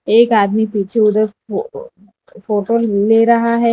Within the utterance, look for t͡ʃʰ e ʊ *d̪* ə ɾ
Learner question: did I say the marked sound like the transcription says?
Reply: yes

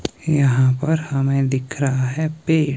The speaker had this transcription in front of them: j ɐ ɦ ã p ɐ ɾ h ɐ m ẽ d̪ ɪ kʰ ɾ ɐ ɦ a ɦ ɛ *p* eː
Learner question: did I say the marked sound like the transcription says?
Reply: yes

